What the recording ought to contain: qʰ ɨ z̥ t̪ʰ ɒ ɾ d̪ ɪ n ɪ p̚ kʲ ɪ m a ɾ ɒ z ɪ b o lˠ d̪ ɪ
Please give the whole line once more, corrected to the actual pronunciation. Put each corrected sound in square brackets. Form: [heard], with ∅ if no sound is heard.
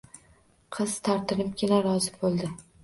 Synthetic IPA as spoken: qʰ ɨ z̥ t̪ʰ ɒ ɾ [t̪] ɪ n ɪ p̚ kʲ ɪ [n] a ɾ ɒ z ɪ b o lˠ d̪ ɪ